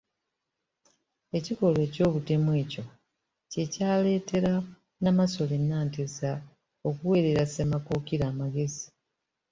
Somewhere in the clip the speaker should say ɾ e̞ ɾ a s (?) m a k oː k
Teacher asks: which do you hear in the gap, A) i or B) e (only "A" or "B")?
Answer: B